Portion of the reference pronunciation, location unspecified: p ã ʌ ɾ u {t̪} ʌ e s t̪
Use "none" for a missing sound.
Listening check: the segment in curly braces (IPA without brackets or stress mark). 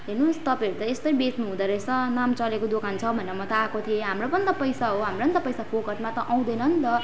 t̪